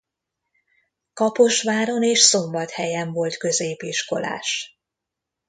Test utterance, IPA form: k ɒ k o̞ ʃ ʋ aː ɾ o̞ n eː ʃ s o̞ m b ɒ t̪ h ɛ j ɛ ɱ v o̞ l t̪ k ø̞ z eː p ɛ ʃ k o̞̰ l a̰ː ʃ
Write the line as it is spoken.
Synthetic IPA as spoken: k ɒ p o̞ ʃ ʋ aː ɾ o̞ n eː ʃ s o̞ m b ɒ t̪ h ɛ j ɛ ɱ v o̞ l t̪ k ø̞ z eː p i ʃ k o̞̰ l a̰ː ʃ